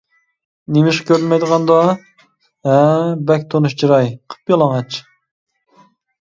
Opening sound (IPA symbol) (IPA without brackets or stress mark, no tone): n